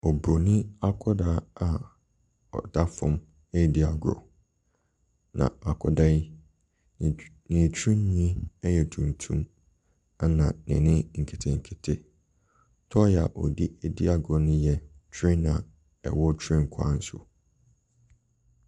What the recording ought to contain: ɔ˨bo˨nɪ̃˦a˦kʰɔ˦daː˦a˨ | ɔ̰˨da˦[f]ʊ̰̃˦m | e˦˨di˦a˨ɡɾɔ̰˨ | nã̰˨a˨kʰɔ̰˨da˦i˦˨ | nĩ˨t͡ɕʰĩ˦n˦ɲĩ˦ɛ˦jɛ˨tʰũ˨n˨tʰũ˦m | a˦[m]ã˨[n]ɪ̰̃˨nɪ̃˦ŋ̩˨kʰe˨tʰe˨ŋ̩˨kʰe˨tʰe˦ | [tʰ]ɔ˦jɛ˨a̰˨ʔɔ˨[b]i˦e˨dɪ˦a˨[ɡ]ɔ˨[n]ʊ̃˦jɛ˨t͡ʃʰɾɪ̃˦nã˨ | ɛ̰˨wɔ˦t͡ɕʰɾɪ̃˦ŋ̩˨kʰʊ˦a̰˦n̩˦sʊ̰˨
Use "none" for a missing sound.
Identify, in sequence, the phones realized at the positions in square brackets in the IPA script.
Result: f, n, n, tʰ, d, ɡ, n

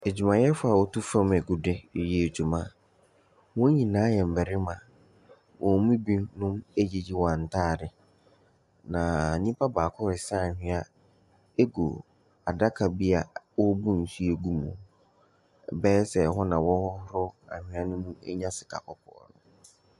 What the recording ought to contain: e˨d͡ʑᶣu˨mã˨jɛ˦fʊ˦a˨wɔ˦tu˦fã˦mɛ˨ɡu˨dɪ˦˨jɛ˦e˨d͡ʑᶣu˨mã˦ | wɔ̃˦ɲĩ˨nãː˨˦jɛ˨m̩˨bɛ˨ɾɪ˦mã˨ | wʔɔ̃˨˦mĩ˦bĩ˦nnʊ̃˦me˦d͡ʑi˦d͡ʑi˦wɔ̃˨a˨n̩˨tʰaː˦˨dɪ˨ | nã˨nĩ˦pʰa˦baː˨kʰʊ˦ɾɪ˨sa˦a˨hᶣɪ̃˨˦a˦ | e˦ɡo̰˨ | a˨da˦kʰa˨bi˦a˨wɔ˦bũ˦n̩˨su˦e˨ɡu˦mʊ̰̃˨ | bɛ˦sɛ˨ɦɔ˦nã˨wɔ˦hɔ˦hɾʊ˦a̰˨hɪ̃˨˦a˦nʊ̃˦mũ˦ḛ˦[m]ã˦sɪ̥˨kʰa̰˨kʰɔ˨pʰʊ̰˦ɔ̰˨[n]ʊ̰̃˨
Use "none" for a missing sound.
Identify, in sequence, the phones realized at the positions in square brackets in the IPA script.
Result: ɲ, n

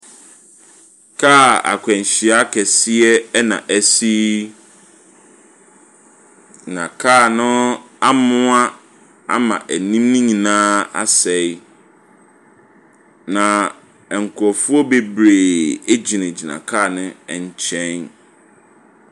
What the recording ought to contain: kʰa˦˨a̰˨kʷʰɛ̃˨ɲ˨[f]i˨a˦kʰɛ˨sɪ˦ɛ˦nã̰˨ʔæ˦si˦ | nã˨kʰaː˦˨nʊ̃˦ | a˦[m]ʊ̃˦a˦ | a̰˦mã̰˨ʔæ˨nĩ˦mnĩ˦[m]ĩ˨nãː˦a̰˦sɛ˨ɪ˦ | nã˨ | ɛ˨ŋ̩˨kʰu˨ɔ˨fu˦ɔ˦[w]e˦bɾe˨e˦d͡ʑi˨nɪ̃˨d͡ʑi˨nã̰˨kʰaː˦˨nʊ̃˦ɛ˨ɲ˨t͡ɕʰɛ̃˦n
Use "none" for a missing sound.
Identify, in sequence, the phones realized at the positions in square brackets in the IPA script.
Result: ɕ, m, ɲ, b

